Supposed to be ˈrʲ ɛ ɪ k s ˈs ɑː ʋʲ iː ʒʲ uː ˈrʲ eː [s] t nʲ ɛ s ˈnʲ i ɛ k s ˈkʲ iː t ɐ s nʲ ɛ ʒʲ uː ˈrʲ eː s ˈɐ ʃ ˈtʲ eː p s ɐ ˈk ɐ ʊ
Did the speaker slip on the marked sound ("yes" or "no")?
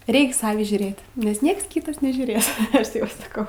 yes